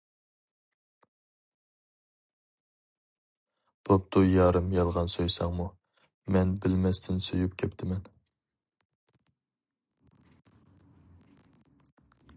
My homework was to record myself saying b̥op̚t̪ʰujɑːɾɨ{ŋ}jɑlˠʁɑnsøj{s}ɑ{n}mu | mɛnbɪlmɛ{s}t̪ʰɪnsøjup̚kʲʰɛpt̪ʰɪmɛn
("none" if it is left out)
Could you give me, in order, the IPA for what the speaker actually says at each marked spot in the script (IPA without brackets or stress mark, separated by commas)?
m, s, ŋ, s